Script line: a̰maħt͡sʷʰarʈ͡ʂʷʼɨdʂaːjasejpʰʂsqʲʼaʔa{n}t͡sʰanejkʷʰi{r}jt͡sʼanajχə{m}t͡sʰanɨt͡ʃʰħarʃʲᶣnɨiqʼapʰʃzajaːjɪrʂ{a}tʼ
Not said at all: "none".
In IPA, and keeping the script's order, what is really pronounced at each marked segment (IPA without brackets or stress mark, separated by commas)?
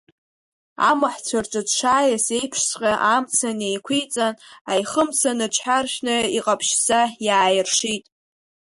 m, none, m, i